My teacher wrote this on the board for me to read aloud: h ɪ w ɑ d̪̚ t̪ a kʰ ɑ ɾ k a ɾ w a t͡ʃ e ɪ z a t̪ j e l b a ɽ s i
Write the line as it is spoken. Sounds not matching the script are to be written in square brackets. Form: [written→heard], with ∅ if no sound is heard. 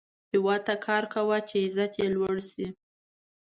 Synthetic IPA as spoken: h ɪ w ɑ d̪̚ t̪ a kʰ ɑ ɾ k a [ɾ→∅] w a t͡ʃ e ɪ z a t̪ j e l [b→w] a ɽ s i